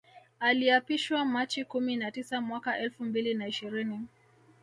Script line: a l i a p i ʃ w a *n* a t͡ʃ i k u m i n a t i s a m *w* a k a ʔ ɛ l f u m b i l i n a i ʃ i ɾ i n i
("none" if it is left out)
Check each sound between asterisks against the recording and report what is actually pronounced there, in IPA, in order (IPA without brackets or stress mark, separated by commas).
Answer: m, w